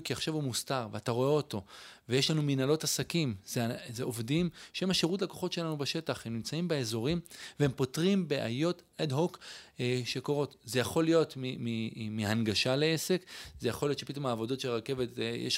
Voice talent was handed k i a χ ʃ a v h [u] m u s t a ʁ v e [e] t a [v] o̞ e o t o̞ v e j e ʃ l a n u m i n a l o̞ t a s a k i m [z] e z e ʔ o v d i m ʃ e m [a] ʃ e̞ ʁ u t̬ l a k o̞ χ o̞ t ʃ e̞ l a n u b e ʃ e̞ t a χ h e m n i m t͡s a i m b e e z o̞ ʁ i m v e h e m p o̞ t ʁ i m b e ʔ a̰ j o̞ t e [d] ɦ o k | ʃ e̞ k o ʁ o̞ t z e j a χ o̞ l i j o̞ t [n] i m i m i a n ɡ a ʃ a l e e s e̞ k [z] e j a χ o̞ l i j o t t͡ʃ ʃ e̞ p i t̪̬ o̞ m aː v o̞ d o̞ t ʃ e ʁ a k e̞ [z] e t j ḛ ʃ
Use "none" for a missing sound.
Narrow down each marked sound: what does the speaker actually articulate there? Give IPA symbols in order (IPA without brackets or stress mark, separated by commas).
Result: u, a, ʁ, z, a, d, m, z, v